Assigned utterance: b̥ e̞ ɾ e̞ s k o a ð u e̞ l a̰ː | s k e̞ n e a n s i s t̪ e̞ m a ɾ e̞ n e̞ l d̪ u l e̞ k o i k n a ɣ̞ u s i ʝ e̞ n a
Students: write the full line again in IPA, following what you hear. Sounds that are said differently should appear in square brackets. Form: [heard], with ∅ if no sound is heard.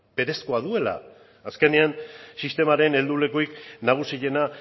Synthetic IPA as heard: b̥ e̞ ɾ e̞ s k o a ð u e̞ l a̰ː | s k e̞ n e a n s i s t̪ e̞ m a ɾ e̞ n e̞ l d̪ u l e̞ k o i k n a ɣ̞ u s i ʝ e̞ n a